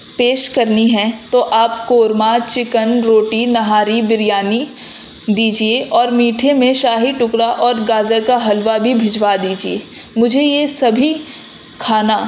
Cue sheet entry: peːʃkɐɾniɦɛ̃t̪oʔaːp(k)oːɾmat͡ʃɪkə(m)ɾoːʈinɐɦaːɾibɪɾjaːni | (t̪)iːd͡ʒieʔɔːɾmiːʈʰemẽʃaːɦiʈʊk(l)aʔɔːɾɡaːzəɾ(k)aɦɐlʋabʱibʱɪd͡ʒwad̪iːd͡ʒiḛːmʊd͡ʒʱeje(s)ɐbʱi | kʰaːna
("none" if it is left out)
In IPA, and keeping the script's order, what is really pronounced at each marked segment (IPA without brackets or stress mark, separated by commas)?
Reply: k, n, d̪, ɽ, k, s